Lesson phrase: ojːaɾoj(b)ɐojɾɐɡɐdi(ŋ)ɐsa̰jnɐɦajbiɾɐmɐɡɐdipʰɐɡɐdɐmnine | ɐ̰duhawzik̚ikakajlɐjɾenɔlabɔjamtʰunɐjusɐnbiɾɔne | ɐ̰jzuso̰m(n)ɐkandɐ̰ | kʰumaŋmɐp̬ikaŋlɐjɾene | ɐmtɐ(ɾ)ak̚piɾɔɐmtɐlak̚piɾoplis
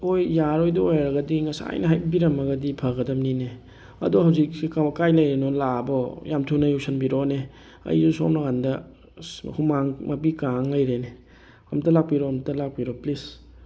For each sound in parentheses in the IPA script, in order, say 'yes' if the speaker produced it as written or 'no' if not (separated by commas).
no, yes, yes, no